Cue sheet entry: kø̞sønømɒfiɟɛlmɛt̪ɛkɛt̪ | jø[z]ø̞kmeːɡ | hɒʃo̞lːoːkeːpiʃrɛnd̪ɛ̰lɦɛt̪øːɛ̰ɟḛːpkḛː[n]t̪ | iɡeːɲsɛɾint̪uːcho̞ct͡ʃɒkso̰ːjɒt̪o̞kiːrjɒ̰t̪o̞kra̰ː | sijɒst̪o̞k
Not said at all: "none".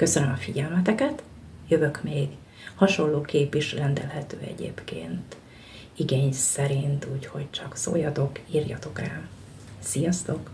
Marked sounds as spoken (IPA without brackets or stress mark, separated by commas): v, n